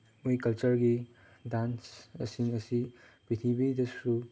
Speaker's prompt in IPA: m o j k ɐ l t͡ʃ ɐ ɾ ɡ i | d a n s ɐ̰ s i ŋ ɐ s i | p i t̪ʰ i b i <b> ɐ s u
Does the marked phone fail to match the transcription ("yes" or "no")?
yes